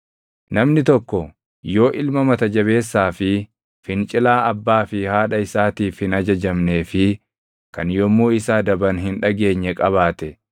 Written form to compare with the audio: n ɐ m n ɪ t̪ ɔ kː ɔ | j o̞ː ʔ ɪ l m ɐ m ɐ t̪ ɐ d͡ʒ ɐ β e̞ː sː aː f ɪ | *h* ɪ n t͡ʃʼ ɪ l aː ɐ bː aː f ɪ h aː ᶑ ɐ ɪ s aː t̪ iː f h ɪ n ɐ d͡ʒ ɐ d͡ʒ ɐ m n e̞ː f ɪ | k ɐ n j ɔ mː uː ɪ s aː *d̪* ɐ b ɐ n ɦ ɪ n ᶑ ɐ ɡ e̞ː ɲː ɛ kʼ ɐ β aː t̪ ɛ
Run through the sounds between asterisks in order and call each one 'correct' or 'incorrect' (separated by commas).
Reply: incorrect, correct